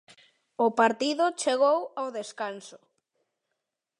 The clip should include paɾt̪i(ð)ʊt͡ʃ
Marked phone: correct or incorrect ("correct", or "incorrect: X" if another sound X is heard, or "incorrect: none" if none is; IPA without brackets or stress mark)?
correct